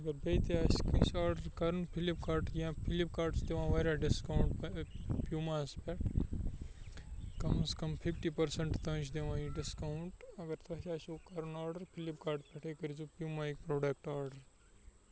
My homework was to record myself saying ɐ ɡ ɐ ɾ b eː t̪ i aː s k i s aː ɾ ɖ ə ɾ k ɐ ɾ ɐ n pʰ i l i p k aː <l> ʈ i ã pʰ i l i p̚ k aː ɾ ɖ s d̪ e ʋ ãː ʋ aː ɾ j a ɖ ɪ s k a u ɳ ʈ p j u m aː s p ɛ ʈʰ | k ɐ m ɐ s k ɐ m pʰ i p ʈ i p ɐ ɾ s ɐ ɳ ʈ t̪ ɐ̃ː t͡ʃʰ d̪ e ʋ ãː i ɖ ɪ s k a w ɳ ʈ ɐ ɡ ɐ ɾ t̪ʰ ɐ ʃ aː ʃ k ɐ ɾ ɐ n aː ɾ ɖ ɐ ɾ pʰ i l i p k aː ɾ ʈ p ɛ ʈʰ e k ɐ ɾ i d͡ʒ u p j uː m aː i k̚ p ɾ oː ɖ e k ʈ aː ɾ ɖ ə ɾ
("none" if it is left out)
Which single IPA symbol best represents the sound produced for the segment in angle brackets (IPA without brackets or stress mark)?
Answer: ɾ